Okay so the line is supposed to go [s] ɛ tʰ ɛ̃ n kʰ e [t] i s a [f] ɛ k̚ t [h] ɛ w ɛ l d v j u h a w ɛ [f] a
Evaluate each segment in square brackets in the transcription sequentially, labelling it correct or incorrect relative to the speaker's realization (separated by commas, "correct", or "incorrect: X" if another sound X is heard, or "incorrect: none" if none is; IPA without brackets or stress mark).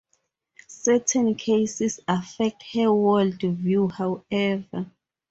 correct, incorrect: s, correct, correct, incorrect: v